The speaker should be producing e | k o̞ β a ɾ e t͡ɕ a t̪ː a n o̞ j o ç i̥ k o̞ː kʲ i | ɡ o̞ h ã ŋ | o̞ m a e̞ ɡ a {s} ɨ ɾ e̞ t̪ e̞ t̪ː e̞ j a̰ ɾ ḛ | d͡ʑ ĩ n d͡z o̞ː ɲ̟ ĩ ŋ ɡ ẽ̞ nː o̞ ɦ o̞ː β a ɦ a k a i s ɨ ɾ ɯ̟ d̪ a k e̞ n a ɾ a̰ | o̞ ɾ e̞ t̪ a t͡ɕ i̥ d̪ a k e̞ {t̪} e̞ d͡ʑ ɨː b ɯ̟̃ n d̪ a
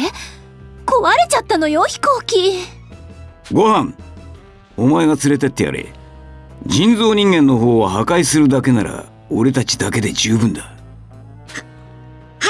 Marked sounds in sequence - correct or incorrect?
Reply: incorrect, incorrect

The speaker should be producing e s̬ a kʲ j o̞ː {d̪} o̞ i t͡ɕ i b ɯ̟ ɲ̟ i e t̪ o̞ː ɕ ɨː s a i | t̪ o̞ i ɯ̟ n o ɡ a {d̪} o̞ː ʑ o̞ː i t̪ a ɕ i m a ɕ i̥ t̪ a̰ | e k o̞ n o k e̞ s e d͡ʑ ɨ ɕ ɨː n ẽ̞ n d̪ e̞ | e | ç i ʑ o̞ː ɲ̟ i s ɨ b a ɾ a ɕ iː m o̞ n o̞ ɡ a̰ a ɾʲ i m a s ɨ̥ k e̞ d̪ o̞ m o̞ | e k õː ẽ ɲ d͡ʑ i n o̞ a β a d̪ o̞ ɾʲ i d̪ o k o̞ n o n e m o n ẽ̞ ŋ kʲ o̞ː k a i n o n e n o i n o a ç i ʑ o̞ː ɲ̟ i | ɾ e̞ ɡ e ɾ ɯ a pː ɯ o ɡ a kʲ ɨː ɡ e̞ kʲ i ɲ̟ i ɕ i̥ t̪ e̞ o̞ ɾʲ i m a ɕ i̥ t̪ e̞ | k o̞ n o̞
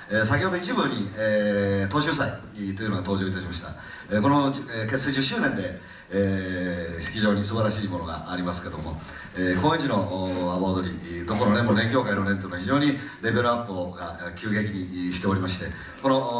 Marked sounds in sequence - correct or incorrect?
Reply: correct, incorrect

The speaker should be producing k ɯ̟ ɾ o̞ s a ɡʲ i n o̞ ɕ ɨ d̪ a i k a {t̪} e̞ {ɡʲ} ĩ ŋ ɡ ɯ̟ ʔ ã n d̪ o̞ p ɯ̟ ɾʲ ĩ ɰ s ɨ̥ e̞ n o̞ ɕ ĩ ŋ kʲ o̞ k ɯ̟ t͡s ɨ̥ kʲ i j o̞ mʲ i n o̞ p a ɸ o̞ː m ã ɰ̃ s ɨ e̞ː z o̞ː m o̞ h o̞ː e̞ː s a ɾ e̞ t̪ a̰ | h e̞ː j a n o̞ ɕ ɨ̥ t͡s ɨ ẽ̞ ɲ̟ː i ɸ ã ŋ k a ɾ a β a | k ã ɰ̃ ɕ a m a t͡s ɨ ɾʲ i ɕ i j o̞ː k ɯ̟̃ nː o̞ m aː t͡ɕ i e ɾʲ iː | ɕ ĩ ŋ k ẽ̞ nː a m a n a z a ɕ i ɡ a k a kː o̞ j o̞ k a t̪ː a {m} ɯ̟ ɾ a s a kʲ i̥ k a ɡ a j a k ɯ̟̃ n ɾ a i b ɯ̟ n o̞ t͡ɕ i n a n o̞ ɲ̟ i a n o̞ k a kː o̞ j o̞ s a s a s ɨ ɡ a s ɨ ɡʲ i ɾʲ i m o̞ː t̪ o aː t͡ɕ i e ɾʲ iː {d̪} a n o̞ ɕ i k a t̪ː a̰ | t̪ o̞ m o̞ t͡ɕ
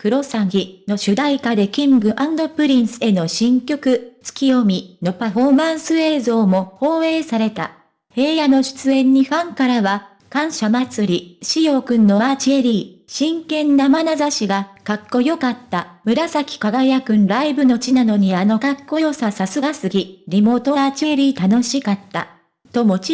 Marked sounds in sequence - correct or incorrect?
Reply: incorrect, incorrect, correct, incorrect

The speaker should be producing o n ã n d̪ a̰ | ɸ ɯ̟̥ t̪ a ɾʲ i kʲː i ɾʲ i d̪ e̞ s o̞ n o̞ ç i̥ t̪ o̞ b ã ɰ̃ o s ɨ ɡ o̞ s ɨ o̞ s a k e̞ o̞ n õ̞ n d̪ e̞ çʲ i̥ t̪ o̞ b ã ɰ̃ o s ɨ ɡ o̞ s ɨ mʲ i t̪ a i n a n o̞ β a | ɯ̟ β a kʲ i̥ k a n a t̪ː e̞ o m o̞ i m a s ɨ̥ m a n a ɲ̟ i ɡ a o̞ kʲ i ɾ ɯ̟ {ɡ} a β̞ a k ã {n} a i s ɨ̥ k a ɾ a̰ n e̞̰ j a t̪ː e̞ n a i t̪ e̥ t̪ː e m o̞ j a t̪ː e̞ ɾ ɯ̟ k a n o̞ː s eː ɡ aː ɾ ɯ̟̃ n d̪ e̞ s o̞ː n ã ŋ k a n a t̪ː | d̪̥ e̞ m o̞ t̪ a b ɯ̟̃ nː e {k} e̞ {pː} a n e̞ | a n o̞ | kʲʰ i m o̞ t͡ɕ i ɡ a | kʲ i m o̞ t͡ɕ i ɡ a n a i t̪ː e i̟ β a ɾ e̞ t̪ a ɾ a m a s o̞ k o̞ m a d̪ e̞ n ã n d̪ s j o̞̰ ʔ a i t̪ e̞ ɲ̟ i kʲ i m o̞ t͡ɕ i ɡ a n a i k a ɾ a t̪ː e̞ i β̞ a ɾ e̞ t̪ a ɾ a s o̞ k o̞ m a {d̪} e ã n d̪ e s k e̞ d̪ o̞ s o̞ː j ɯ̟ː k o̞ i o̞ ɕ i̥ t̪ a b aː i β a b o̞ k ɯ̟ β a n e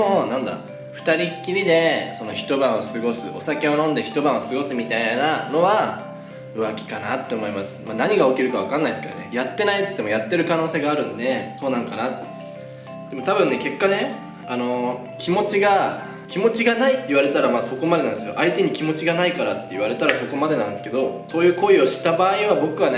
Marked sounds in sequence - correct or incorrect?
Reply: incorrect, incorrect, correct, incorrect, correct

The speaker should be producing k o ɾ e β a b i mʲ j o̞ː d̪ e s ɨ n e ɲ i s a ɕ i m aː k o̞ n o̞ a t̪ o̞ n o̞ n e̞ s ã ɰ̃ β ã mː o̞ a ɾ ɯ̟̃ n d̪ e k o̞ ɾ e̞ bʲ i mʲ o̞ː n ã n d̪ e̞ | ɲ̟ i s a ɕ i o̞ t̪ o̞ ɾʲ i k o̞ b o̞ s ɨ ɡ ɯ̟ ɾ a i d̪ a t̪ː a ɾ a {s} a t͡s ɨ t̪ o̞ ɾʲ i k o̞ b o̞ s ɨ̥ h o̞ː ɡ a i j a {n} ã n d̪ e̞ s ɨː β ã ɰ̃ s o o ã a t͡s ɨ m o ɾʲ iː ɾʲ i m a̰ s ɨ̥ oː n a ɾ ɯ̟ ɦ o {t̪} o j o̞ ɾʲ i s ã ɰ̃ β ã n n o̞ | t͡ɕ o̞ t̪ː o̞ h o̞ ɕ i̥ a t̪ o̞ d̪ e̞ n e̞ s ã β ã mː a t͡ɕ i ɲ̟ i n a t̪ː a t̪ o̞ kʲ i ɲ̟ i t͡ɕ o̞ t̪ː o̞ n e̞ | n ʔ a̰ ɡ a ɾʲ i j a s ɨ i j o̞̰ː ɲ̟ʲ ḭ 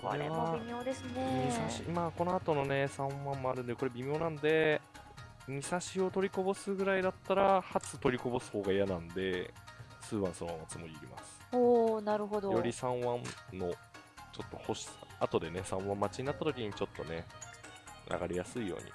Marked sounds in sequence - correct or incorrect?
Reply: incorrect, correct, incorrect

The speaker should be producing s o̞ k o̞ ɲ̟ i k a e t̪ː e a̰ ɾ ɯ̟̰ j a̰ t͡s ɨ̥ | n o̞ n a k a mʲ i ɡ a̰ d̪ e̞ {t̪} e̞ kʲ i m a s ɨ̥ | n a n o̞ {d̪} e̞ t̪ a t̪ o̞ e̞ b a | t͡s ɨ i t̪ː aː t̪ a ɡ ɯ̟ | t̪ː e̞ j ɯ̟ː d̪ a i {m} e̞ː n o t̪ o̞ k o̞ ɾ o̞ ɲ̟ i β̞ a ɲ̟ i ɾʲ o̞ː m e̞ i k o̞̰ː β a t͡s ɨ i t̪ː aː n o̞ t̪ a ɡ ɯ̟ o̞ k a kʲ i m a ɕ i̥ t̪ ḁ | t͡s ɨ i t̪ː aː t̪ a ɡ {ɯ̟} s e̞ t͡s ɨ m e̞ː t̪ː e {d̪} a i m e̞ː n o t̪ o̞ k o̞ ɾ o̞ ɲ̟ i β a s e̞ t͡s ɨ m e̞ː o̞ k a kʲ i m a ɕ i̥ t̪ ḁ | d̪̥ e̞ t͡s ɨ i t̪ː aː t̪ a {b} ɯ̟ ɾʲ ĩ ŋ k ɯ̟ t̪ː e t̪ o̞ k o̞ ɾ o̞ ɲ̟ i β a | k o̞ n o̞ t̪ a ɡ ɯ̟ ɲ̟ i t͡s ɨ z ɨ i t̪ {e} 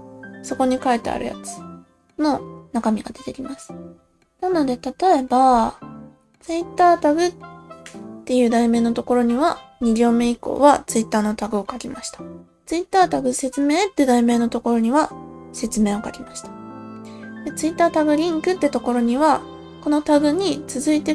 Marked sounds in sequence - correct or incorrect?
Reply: correct, correct, correct, correct, correct, incorrect, correct

